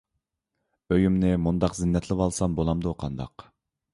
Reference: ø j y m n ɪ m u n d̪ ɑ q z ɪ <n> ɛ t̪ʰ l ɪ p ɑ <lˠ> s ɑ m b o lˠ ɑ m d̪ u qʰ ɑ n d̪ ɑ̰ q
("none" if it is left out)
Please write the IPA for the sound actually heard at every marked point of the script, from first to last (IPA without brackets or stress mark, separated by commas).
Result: nː, lˠ